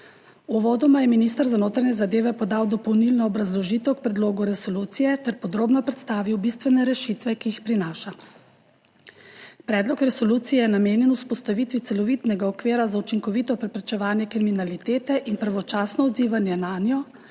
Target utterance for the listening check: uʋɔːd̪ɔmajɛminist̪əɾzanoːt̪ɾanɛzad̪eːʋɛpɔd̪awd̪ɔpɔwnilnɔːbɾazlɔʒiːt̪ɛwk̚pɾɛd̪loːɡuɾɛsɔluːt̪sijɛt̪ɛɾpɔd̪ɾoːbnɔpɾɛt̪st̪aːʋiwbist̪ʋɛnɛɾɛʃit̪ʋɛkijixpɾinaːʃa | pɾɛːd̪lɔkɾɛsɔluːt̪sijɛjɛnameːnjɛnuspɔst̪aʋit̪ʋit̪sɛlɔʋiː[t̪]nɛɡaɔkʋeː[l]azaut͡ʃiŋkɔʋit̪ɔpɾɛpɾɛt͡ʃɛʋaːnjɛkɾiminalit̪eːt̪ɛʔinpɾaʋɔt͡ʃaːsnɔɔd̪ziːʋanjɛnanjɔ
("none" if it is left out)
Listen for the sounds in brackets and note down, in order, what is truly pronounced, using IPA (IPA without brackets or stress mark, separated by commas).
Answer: t̪, ɾ